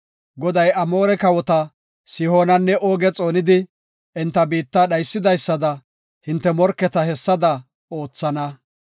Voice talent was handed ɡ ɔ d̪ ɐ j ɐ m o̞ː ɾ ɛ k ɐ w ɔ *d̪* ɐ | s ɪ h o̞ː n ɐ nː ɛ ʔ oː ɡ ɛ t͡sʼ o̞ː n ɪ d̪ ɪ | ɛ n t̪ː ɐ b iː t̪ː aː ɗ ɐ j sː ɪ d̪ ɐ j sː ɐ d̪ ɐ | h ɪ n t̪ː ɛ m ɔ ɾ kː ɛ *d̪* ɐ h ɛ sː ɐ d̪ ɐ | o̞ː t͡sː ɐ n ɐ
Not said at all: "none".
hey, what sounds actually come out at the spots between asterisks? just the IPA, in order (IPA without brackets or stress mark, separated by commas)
t̪, t̪